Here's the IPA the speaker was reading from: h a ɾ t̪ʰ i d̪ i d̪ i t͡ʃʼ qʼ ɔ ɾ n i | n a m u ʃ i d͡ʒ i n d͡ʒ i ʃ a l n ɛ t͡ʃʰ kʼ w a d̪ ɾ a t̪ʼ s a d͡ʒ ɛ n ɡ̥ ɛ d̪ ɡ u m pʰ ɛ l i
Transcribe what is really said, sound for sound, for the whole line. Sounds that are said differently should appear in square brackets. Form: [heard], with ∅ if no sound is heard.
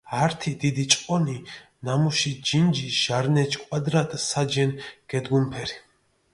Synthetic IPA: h a ɾ t̪ʰ i d̪ i d̪ i t͡ʃʼ qʼ ɔ [∅] n i | n a m u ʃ i d͡ʒ i n d͡ʒ i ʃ a [ɾ] n ɛ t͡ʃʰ kʼ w a d̪ ɾ a t̪ʼ s a d͡ʒ ɛ n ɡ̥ ɛ d̪ ɡ u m pʰ ɛ [ɾ] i